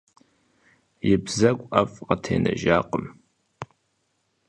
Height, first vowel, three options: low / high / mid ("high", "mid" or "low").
high